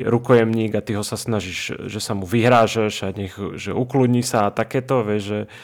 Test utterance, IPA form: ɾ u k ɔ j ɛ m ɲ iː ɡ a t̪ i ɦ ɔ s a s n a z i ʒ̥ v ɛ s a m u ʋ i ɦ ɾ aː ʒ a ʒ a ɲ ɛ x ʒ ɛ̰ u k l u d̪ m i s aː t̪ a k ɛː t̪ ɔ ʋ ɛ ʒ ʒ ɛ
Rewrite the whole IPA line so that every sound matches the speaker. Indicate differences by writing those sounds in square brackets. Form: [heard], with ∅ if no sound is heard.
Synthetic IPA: ɾ u k ɔ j ɛ m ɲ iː ɡ a t̪ i ɦ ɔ s a s n a [ʒ] i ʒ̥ [ʒ] ɛ s a m u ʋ i ɦ ɾ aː ʒ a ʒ a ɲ ɛ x ʒ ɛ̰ u k l u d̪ [ɲ] i s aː t̪ a k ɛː t̪ ɔ ʋ ɛ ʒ ʒ ɛ